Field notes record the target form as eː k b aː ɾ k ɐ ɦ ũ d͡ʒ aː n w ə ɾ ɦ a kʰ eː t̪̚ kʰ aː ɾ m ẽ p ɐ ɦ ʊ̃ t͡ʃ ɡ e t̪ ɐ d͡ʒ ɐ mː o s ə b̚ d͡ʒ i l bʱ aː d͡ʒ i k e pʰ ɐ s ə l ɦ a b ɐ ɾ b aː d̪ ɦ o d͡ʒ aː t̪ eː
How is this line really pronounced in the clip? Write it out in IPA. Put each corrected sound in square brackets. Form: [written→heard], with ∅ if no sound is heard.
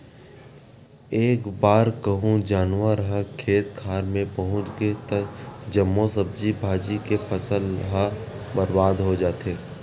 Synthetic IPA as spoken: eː k b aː ɾ k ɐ ɦ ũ d͡ʒ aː n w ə ɾ ɦ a kʰ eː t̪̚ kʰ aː ɾ m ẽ p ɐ ɦ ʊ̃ t͡ʃ ɡ e t̪ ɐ d͡ʒ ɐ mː o s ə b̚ d͡ʒ i [l→∅] bʱ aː d͡ʒ i k e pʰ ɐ s ə l ɦ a b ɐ ɾ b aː d̪ ɦ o d͡ʒ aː t̪ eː